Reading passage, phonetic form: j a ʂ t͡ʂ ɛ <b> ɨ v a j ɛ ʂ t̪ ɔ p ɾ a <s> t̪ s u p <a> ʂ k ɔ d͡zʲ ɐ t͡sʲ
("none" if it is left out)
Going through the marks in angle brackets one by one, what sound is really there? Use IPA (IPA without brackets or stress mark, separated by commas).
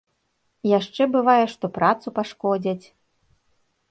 b, none, a